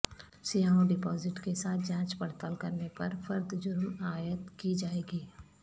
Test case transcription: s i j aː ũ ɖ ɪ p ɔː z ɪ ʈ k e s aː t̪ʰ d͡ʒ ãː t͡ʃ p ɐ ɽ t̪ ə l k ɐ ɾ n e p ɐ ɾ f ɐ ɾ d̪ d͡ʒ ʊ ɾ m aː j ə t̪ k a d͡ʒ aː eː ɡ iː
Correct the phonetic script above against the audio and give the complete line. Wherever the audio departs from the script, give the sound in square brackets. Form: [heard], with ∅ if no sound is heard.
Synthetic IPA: s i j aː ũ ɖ ɪ p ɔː z ɪ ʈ k e s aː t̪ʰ d͡ʒ ãː t͡ʃ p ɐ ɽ t̪ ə l k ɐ ɾ n e p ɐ ɾ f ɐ ɾ d̪ d͡ʒ ʊ ɾ m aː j ə t̪ k [i] d͡ʒ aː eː ɡ iː